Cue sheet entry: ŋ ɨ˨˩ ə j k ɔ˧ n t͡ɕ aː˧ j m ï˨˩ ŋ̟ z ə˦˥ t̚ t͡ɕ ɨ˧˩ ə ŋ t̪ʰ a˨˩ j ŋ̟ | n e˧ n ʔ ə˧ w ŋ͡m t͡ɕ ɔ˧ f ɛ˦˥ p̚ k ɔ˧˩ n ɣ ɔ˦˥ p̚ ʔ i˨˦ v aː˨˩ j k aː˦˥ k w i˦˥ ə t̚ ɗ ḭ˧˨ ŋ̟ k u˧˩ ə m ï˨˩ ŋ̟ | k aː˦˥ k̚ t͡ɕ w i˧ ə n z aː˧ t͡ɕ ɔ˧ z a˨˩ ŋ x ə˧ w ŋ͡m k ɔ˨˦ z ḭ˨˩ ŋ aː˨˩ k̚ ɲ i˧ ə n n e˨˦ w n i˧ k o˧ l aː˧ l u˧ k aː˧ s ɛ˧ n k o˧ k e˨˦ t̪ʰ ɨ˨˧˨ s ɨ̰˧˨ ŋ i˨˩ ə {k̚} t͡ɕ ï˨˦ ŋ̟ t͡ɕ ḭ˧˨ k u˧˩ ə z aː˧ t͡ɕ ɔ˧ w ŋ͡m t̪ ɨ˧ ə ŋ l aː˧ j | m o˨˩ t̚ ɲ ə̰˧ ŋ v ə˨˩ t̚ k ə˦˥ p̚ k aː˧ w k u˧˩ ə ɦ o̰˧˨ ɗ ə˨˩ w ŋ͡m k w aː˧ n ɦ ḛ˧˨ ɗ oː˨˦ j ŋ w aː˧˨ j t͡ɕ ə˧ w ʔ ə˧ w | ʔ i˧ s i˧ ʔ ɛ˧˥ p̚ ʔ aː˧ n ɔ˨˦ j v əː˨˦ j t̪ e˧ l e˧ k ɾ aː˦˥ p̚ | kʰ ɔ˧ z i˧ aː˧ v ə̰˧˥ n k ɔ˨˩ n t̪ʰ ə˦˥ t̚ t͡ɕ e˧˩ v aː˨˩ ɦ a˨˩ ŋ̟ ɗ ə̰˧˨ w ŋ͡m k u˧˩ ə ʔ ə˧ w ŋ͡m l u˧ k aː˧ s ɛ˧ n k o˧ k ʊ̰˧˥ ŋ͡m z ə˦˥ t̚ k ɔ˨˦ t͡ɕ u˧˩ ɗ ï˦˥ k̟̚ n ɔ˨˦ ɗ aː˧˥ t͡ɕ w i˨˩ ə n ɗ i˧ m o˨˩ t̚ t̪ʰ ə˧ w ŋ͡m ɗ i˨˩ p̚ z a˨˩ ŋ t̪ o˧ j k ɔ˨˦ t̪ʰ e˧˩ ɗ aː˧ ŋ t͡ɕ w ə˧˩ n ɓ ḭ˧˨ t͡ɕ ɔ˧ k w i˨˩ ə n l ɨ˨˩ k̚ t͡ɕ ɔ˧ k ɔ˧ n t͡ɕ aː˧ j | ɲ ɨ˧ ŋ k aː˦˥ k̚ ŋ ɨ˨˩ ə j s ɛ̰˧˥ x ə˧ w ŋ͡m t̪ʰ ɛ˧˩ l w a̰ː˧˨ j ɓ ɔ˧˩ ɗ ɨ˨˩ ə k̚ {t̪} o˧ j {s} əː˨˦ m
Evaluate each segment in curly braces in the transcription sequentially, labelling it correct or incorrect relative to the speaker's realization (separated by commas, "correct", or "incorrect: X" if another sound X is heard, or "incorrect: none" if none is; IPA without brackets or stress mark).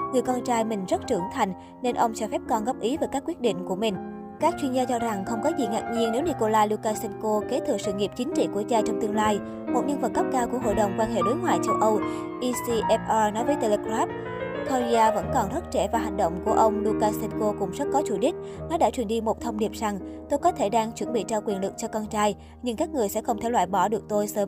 incorrect: p̚, correct, correct